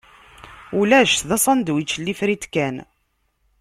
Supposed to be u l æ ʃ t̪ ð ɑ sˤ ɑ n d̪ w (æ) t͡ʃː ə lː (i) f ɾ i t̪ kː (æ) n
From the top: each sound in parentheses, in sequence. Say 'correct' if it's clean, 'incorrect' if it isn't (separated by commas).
incorrect, correct, correct